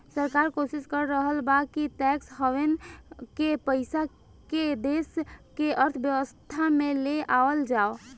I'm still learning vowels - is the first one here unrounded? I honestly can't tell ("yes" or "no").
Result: yes